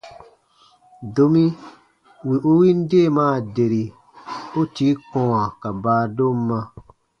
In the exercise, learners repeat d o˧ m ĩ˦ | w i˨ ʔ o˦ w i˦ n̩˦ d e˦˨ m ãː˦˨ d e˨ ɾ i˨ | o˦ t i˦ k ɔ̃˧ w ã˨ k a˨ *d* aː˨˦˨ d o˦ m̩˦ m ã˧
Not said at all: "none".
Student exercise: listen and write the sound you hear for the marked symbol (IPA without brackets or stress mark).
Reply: b